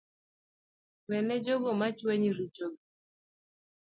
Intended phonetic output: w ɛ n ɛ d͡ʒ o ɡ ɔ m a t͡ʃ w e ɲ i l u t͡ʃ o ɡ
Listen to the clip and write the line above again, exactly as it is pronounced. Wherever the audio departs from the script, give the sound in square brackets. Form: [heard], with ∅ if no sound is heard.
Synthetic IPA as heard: w ɛ n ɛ d͡ʒ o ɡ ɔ m a t͡ʃ w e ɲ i [ɾ] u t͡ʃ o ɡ